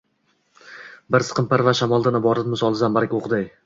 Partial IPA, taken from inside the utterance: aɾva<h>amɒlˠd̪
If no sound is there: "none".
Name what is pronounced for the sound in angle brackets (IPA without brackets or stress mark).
ʃ